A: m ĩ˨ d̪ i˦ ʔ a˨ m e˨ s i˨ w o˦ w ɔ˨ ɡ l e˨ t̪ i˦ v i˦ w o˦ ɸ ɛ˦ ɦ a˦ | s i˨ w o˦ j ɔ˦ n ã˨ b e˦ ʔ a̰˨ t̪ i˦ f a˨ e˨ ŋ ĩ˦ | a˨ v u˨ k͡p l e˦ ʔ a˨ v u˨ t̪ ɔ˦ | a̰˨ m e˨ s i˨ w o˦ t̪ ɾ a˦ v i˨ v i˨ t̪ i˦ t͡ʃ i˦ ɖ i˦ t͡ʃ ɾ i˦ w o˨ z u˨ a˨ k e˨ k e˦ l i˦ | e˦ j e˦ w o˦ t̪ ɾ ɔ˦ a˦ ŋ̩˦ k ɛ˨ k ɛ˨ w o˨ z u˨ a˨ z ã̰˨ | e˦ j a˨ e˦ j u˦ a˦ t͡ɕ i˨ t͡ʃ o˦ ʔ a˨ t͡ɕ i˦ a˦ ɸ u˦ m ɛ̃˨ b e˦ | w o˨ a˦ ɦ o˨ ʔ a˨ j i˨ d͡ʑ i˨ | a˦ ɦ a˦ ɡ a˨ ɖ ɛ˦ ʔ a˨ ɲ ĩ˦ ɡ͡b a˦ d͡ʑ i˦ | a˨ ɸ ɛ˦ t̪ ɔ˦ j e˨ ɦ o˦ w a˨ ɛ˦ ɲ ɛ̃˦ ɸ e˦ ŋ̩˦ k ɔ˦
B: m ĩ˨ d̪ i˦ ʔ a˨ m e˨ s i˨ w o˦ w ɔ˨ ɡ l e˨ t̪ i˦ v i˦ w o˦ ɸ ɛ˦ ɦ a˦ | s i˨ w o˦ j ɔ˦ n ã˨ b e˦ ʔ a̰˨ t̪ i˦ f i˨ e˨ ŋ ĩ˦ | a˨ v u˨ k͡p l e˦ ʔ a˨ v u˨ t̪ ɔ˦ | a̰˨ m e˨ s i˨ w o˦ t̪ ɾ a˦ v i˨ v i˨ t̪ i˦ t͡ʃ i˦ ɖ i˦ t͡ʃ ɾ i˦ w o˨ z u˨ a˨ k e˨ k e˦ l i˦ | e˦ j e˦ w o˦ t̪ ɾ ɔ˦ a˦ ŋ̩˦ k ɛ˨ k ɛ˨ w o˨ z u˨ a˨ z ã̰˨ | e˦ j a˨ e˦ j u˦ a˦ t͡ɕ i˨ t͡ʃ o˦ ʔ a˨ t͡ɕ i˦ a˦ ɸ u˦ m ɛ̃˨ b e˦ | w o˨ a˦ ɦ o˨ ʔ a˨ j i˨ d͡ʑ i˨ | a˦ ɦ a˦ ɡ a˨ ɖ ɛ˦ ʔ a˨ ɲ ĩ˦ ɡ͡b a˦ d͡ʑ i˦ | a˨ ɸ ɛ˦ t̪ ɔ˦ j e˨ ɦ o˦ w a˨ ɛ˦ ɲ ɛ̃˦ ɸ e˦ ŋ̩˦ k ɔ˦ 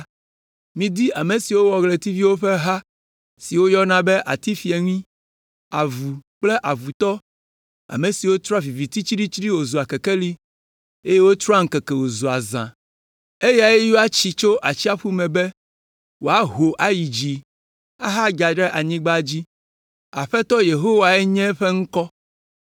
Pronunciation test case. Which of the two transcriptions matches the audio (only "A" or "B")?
B